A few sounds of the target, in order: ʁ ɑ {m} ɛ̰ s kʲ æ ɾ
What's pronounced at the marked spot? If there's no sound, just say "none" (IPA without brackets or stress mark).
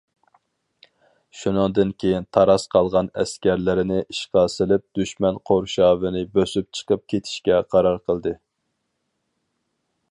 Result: n